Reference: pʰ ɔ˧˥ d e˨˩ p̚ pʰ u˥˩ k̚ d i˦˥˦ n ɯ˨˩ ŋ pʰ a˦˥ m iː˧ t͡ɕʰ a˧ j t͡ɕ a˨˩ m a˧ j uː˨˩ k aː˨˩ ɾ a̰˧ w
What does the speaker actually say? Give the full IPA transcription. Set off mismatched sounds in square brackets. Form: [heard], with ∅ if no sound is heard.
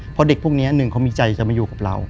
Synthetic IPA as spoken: pʰ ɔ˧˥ d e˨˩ [k̚] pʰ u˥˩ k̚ [n] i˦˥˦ n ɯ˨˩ ŋ [kʰ] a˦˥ m iː˧ [t͡ɕ] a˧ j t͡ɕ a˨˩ m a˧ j uː˨˩ k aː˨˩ ɾ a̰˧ w

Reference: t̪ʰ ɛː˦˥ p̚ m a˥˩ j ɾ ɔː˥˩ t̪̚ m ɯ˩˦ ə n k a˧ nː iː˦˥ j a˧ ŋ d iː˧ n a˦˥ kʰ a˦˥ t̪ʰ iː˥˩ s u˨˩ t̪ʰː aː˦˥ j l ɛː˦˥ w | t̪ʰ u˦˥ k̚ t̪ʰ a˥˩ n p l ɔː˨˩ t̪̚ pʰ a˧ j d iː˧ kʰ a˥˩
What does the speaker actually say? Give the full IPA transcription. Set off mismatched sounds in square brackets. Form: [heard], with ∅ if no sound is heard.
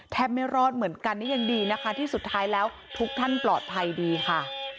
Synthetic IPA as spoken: t̪ʰ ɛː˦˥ p̚ m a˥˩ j ɾ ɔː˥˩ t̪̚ m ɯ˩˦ ə n k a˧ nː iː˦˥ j a˧ ŋ d iː˧ n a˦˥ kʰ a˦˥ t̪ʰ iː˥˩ s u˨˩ t̪ʰː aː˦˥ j l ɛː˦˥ w | t̪ʰ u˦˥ k̚ t̪ʰ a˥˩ n p l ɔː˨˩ t̪̚ pʰ a˧ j d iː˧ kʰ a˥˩

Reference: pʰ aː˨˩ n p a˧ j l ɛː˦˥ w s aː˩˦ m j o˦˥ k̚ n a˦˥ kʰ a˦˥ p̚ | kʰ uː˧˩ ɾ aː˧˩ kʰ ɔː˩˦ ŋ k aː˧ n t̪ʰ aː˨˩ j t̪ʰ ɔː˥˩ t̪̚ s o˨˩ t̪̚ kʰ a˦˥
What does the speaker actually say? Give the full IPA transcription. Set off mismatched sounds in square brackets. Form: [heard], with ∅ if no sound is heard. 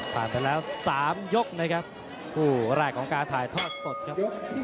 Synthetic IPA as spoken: pʰ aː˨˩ n p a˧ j l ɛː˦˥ w s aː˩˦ m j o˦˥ k̚ n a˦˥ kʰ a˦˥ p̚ | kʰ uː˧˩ ɾ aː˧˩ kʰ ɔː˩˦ ŋ k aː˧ n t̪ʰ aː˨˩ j t̪ʰ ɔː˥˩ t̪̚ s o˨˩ t̪̚ kʰ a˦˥

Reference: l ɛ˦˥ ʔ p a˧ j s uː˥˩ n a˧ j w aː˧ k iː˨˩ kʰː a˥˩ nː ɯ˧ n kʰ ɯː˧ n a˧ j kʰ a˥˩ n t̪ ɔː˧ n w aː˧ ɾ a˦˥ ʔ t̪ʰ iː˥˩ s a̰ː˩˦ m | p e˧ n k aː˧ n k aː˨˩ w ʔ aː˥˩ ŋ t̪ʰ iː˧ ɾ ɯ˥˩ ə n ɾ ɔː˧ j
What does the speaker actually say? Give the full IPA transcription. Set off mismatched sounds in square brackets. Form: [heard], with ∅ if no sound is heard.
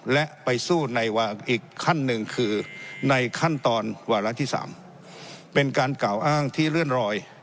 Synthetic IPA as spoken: l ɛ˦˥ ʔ p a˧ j s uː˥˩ n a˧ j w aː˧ [ʔ] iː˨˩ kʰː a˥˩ nː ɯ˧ [ŋ] kʰ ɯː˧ n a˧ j kʰ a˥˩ n t̪ ɔː˧ n w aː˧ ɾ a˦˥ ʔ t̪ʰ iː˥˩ s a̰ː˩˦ m | p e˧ n k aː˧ n k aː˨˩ w ʔ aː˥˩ ŋ t̪ʰ [iː˥˩] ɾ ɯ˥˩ ə n ɾ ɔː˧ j

